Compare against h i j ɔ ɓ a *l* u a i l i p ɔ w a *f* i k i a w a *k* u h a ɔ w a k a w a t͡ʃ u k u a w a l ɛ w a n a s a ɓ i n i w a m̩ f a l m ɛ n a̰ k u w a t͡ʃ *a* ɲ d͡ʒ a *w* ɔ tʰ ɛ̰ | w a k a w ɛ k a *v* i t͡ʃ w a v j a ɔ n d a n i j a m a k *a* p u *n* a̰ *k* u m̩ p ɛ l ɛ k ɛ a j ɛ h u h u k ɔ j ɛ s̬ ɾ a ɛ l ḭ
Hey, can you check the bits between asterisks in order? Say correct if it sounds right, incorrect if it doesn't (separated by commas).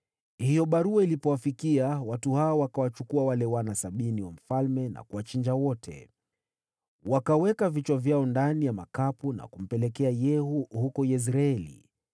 incorrect, correct, incorrect, incorrect, correct, correct, correct, correct, correct